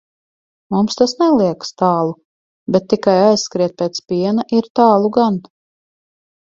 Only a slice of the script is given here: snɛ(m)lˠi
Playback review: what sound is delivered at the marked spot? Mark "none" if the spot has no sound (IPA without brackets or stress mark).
none